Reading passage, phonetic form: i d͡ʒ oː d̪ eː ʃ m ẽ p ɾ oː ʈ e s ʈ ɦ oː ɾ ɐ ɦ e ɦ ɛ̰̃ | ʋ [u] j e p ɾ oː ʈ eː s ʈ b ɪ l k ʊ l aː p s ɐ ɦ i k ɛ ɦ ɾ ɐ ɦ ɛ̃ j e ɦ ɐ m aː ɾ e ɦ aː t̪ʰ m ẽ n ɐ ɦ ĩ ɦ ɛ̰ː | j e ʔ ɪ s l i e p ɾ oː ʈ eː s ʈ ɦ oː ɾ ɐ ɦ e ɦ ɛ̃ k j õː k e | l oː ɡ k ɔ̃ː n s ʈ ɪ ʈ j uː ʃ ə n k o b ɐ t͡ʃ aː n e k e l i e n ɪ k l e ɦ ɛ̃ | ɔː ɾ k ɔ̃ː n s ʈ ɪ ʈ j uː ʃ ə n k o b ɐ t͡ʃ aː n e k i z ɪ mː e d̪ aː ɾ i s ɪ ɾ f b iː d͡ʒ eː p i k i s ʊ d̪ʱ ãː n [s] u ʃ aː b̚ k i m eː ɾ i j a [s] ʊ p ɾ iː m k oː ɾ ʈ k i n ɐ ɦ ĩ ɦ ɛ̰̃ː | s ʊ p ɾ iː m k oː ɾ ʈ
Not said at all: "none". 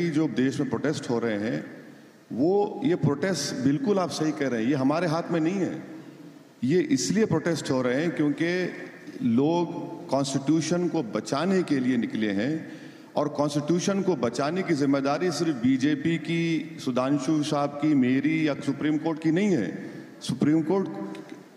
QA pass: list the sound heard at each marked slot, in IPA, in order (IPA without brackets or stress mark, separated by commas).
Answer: o, ʃ, s